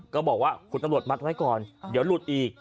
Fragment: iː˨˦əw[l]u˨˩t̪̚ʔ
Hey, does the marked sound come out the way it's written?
yes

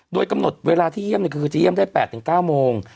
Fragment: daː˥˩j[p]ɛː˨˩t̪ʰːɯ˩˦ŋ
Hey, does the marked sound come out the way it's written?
yes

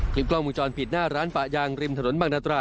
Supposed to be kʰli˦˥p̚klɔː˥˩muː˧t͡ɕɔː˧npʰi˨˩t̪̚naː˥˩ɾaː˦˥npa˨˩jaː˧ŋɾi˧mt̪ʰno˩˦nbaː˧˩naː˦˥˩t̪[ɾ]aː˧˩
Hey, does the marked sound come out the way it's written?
yes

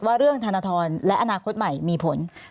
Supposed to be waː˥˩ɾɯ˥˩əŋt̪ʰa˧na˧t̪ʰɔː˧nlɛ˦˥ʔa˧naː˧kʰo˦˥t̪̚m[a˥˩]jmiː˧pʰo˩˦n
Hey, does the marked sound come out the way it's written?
no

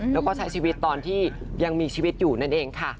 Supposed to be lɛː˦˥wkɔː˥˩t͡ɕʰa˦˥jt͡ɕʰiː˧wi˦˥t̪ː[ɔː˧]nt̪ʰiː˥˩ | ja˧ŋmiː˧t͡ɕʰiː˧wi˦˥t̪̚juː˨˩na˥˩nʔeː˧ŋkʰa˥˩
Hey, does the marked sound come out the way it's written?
yes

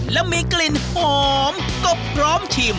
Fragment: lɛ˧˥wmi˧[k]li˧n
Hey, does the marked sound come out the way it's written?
yes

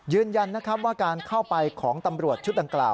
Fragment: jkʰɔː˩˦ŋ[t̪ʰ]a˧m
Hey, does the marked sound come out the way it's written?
no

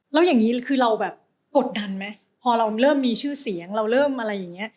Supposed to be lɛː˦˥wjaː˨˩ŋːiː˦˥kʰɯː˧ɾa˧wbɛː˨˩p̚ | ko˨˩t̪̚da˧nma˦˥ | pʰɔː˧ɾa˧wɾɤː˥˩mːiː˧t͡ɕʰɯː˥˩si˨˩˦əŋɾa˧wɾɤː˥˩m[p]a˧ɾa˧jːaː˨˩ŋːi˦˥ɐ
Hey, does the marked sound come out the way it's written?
no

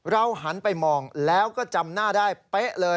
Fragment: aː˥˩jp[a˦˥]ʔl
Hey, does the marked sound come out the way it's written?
no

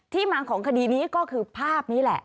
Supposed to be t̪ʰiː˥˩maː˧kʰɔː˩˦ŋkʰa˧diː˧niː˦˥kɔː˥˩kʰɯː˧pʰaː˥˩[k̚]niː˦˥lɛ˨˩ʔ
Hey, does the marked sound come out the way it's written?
no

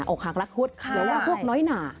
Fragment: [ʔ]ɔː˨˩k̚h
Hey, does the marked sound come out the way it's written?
yes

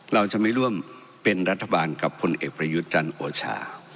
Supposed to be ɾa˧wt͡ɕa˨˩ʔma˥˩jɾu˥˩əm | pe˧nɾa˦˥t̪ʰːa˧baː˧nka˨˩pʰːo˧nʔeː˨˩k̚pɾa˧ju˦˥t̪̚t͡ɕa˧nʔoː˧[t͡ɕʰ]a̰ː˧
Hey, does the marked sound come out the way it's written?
yes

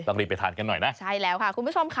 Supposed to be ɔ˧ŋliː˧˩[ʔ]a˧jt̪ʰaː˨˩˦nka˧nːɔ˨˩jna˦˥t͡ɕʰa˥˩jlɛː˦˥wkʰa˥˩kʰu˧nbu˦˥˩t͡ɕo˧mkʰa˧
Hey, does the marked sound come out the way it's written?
no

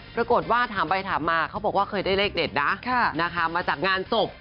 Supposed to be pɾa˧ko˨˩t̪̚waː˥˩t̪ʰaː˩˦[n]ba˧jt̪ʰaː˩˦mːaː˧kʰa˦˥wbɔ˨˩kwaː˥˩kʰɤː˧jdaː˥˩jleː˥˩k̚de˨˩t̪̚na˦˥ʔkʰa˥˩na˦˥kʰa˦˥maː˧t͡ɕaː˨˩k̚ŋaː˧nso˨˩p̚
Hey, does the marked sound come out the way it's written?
no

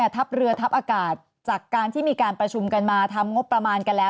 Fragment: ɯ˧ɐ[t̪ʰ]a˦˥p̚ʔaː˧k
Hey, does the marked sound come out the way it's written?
yes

